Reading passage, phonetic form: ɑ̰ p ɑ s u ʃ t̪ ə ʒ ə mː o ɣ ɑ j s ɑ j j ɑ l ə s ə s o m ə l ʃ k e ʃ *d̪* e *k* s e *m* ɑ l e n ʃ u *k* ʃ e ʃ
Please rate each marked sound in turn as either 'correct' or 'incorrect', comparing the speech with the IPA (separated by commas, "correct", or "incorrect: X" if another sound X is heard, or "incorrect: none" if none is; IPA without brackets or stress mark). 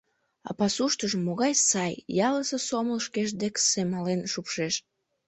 correct, correct, correct, incorrect: p